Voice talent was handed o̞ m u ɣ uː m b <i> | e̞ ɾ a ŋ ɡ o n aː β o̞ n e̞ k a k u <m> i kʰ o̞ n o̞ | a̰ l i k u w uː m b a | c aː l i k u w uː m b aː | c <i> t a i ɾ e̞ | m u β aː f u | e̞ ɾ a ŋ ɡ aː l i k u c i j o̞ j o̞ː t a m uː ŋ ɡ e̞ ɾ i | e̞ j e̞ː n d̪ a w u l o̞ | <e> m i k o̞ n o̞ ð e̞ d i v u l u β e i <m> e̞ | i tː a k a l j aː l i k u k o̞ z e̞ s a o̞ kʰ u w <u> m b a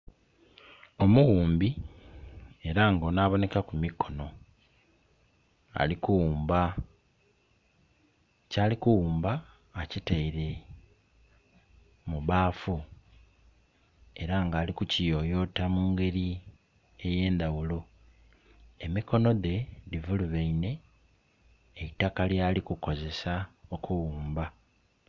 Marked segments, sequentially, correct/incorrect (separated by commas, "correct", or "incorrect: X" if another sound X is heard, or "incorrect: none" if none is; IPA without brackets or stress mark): correct, correct, correct, correct, incorrect: n, incorrect: uː